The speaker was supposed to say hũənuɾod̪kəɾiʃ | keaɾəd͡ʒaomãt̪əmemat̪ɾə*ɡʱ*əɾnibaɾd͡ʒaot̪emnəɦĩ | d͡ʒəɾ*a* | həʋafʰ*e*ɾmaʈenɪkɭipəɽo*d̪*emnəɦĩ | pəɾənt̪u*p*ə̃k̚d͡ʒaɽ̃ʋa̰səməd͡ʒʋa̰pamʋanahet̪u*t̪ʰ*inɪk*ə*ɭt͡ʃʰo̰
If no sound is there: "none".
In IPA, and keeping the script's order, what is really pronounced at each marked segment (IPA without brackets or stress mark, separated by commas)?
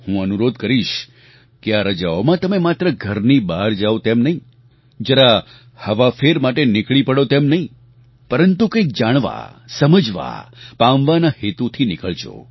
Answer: ɡʱ, a, e, t̪, k, t̪ʰ, ə